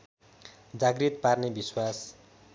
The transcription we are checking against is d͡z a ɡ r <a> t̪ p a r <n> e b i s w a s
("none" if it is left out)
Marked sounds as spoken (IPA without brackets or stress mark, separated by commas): i, n